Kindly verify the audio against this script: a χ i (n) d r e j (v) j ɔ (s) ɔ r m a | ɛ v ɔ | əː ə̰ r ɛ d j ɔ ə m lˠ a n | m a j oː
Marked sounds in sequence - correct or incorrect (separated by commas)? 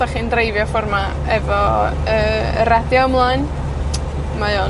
correct, correct, incorrect